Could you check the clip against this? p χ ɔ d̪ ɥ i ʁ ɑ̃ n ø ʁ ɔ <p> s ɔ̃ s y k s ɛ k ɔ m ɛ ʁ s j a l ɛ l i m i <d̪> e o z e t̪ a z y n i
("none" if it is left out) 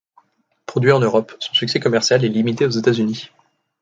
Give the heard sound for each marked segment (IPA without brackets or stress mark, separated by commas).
p, t̪